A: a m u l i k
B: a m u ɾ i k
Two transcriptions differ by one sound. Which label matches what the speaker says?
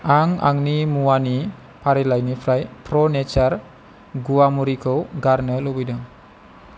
B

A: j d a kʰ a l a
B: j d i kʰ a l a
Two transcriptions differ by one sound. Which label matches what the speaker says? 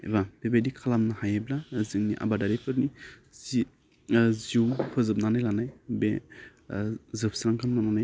B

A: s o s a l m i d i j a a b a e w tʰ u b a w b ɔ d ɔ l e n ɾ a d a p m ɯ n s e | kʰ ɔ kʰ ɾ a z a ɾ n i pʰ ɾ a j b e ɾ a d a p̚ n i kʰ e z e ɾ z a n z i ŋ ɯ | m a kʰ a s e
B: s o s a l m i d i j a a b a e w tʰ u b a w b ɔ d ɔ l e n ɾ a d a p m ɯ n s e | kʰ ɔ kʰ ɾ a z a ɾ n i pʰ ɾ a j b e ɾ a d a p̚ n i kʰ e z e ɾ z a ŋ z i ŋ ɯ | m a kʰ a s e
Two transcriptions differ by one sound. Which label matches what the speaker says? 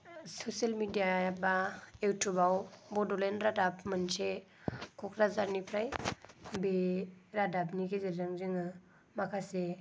B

